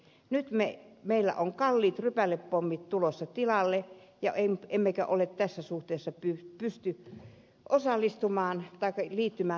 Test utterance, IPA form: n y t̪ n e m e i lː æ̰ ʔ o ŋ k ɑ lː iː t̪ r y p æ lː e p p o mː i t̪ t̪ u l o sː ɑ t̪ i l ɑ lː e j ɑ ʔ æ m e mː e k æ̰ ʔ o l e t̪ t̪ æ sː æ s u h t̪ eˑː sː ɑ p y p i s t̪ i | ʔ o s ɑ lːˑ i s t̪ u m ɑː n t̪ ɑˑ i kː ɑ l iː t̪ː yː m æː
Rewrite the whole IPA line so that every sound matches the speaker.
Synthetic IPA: n y t̪ m e m e i lː æ̰ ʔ o ŋ k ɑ lː iː t̪ r y p æ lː e p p o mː i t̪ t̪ u l o sː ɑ t̪ i l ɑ lː e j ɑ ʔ e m e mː e k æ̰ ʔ o l e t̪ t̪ æ sː æ s u h t̪ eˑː sː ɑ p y p y s t̪ y | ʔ o s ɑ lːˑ i s t̪ u m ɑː n t̪ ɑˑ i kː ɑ l iː t̪ː y m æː